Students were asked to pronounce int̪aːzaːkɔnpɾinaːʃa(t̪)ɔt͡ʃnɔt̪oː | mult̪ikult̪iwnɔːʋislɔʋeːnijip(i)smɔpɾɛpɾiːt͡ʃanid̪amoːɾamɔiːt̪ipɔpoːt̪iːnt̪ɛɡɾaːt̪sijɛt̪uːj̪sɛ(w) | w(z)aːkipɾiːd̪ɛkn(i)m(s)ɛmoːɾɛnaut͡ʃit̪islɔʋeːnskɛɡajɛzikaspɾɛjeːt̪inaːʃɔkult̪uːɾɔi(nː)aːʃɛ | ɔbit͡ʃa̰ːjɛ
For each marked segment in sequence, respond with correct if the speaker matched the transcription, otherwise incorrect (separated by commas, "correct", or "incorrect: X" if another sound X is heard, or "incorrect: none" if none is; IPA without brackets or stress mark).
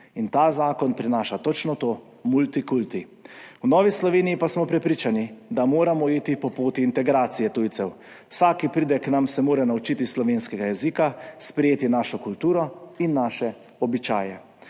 correct, incorrect: a, correct, incorrect: s, incorrect: a, correct, correct